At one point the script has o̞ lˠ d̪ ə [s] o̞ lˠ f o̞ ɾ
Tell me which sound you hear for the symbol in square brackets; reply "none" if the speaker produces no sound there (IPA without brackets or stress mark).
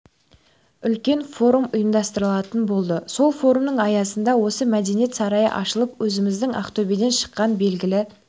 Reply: s